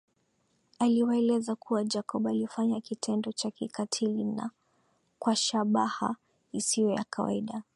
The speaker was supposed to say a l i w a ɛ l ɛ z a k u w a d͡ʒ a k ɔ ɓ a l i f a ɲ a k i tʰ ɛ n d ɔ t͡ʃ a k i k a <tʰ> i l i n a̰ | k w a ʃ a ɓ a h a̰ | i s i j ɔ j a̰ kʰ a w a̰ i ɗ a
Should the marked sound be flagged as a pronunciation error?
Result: no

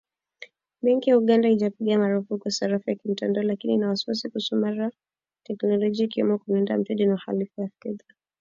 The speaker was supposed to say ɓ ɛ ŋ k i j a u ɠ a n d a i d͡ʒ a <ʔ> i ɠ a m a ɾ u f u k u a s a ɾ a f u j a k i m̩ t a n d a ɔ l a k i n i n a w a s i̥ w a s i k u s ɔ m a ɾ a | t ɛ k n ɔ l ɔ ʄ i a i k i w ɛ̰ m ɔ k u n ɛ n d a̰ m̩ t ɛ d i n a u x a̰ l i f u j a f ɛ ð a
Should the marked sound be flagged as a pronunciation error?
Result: yes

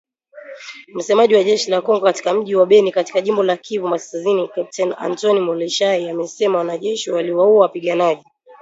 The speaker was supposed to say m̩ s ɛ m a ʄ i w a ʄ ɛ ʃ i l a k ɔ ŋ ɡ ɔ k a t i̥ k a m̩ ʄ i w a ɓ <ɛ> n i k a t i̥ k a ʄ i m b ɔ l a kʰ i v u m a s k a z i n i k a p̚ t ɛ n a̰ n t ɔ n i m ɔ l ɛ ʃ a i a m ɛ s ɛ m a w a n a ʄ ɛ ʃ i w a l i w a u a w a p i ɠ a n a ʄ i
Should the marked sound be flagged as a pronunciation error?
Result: no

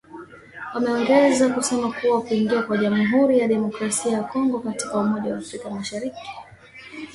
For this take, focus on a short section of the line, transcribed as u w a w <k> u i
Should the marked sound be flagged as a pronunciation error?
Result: no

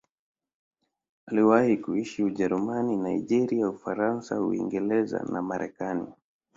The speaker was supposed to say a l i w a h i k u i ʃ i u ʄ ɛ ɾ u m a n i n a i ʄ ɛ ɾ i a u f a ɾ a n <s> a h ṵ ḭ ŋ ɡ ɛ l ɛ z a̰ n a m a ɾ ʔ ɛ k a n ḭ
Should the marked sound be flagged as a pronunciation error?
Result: no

